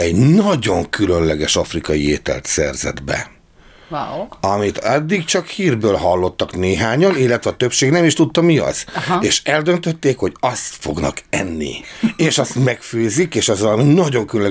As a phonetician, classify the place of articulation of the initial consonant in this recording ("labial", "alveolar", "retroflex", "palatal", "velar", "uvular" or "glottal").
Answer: palatal